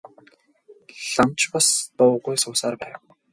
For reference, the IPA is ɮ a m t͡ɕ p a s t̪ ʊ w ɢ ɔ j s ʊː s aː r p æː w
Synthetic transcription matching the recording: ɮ a m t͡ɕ p a s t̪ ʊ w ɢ u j s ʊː s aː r p æː w